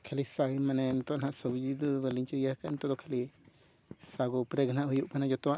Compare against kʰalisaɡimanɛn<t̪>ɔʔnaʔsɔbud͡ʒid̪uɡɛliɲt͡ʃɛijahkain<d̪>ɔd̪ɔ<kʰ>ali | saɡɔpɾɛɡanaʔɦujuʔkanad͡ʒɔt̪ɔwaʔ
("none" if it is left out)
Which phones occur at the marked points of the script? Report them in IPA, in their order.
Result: t̪, t̪, kʰ

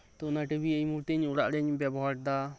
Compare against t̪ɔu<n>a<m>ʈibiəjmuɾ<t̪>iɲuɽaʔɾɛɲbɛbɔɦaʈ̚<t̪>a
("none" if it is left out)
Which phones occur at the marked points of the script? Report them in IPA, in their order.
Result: n, none, t̪, d̪

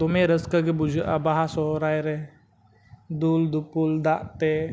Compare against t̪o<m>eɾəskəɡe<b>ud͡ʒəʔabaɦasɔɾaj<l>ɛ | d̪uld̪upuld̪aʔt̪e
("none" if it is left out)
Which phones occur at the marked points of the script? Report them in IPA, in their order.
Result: m, b, ɾ

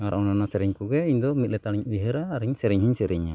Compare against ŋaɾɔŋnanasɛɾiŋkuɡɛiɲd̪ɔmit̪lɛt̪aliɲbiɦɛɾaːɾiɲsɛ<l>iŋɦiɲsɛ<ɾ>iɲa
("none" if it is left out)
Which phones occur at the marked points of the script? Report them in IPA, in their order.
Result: ɾ, ɾ

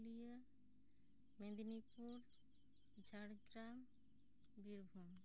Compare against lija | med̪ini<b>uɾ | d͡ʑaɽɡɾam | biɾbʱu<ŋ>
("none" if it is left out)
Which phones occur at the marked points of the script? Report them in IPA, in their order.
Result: p, m

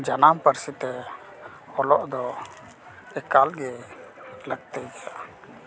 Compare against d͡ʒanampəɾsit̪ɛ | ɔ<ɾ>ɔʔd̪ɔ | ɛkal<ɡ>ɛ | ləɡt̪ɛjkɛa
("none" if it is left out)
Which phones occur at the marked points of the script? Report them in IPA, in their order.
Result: l, ɡ

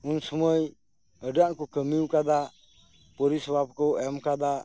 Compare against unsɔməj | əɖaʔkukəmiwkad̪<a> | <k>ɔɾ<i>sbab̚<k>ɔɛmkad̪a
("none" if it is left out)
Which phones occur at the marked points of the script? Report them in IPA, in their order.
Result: a, p, i, k

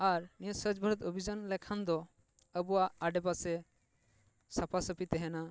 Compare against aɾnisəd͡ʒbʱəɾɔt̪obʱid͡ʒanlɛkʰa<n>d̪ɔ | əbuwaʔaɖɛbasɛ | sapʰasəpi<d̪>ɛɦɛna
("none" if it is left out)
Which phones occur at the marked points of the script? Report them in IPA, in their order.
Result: n, t̪

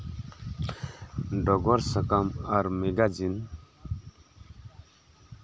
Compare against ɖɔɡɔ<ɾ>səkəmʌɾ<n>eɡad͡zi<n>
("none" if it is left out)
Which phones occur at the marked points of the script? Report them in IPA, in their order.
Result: ɾ, m, n

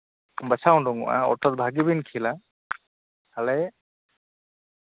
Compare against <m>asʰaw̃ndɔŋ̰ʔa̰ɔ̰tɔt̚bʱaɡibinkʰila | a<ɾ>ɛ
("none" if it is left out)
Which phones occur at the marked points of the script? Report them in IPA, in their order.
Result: b, l

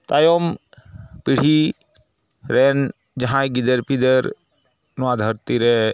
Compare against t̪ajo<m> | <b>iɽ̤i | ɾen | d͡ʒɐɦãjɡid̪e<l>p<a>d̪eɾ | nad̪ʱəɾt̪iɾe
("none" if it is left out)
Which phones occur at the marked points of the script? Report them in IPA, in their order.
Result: m, p, ɾ, i

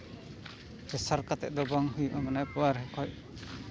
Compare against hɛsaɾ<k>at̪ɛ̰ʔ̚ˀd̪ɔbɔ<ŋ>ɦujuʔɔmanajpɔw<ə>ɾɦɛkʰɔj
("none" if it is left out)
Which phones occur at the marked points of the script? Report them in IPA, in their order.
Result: k, ŋ, a

